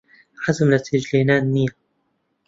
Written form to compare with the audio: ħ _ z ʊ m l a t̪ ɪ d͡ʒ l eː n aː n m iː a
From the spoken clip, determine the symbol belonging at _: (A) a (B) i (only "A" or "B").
A